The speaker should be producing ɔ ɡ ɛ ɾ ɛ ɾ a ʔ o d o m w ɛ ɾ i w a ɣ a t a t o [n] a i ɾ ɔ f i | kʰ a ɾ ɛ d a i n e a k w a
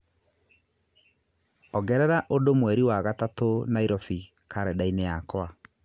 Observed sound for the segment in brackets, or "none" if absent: n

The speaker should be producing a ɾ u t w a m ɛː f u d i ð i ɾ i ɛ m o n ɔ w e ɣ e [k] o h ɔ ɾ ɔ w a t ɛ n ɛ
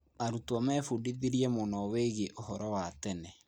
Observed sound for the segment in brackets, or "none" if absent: ʔ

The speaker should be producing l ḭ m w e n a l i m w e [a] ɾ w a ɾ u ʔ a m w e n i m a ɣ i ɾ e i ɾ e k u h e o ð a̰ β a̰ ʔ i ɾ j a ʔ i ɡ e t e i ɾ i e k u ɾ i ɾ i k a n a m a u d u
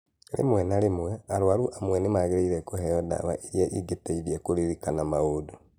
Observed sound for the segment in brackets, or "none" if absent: a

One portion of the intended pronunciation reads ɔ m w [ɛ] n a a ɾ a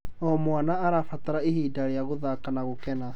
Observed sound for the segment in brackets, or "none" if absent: a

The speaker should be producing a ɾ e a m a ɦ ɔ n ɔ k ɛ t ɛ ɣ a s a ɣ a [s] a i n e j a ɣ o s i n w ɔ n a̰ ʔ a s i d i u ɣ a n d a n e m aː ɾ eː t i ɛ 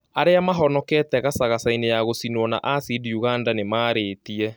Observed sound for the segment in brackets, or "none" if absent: s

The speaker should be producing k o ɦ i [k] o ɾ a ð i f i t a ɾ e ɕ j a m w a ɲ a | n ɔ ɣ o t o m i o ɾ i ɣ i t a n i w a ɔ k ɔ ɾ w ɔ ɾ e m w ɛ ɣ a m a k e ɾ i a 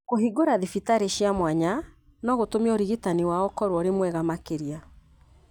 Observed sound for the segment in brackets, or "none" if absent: ɡ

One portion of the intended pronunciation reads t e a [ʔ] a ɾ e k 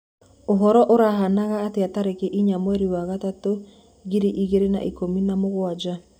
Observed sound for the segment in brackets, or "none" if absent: t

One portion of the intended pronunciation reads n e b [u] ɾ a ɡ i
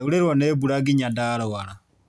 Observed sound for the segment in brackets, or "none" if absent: u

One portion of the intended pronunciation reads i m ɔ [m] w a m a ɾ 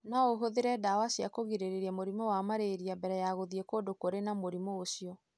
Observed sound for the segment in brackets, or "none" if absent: none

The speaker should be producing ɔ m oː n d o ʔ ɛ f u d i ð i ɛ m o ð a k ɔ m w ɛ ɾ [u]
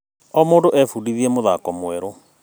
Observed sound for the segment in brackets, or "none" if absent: o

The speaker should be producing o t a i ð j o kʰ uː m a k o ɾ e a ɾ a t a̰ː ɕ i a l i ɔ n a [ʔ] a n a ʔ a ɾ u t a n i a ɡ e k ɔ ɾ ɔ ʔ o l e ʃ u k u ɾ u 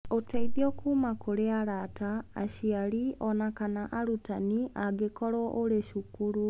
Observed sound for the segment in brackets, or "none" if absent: k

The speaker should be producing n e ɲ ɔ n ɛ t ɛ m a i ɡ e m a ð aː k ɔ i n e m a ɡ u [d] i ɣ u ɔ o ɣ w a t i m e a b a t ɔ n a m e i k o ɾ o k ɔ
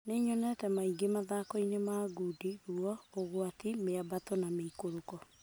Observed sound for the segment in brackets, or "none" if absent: d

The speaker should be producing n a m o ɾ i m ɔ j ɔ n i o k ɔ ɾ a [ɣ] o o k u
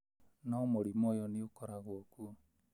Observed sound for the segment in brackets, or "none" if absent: ɣ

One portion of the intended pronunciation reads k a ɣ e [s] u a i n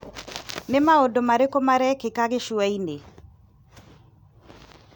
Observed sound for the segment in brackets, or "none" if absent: ʃ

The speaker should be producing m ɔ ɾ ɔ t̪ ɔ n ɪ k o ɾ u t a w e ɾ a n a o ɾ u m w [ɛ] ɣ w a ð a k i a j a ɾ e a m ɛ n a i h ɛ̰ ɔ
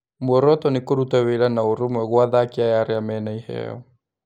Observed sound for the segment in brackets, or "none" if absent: ɛ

